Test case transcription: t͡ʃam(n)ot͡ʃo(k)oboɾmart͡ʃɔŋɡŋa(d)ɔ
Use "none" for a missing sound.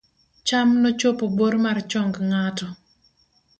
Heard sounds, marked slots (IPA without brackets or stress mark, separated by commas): n, p, t